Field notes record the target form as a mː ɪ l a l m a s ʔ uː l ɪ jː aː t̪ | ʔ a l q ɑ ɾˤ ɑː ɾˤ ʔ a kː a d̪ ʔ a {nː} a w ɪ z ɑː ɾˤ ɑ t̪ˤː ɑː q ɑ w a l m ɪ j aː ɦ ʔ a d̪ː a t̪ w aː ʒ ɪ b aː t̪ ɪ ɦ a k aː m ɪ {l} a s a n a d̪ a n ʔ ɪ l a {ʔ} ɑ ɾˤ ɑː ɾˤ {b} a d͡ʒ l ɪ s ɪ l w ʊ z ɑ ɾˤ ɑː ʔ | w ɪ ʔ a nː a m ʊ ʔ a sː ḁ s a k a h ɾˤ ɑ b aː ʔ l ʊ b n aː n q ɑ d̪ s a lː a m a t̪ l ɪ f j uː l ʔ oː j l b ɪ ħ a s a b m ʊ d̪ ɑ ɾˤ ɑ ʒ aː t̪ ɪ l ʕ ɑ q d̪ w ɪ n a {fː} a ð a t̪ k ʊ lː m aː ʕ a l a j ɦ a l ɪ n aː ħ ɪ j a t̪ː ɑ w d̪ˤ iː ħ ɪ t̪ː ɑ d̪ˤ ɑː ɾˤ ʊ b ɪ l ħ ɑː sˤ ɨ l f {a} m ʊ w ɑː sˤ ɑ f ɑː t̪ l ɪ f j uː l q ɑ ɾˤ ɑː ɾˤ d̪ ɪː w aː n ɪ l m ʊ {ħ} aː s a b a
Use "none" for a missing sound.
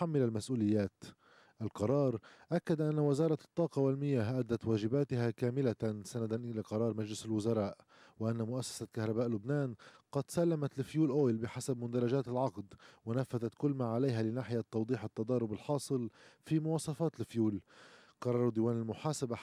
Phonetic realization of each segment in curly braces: nː, l, q, m, fː, i, ħ

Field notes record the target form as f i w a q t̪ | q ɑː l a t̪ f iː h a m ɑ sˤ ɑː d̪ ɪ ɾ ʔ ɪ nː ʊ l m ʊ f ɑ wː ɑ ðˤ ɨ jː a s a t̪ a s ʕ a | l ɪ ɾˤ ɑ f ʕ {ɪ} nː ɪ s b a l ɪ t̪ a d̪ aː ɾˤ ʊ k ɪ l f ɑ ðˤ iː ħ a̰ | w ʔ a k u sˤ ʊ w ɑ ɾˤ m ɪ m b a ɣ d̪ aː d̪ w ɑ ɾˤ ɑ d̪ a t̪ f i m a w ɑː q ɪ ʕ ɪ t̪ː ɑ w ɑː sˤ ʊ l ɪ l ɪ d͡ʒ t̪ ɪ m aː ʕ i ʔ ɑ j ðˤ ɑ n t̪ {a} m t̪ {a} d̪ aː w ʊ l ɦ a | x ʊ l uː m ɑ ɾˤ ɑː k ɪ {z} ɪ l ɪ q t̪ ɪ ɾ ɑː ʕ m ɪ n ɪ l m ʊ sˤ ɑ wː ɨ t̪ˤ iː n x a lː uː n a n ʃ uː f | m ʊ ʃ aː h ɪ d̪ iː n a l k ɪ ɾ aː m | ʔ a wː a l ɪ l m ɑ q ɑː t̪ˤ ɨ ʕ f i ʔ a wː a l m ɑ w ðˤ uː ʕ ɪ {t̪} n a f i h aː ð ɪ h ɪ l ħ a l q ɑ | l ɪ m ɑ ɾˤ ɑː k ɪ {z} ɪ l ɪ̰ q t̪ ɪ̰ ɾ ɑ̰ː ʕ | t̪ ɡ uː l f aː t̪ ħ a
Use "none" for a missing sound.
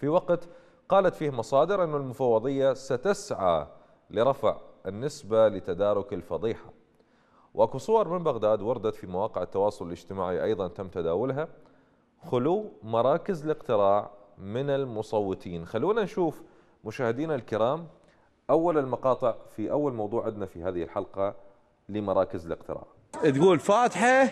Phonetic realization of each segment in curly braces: ɪ, a, a, z, d̪, z

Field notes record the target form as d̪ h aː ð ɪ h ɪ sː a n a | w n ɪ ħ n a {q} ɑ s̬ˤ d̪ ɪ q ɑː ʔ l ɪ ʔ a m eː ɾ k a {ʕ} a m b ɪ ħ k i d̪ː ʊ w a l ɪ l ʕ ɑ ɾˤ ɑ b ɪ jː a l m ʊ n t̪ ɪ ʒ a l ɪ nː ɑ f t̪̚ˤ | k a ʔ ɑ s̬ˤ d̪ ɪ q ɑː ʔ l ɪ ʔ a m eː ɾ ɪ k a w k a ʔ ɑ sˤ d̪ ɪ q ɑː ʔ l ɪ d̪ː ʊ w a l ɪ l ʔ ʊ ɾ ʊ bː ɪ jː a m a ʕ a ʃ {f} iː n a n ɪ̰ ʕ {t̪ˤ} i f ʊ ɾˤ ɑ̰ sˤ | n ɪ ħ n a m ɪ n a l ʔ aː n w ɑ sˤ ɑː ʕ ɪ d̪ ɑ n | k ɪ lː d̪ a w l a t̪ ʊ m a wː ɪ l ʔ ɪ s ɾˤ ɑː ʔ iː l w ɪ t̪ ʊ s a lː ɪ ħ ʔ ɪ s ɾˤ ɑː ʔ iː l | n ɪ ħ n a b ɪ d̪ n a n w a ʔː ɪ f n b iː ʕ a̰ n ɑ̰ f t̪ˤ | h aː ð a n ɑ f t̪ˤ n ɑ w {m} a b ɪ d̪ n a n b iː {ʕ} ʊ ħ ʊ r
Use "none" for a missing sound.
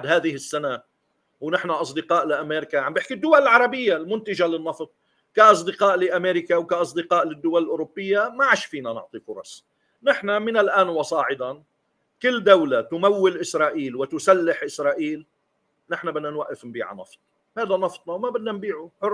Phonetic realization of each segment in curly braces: ʔ, ʕ, f, t̪ˤ, m, ʕ

